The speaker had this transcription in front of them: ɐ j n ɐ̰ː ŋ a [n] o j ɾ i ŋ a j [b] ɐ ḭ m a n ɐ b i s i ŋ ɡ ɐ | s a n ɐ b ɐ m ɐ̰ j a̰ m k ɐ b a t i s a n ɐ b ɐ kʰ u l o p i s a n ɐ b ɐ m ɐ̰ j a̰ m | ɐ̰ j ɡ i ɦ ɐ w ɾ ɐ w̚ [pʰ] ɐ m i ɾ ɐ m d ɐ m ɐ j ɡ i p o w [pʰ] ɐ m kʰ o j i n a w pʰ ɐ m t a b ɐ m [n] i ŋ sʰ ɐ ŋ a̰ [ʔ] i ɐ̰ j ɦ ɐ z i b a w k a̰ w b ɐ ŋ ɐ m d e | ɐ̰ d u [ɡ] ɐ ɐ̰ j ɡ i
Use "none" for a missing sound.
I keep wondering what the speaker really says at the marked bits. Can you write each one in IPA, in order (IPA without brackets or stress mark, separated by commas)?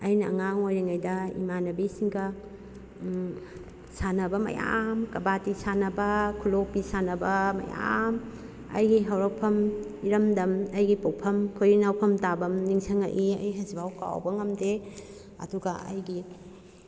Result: ŋ, d, pʰ, pʰ, n, ʔ, ɡ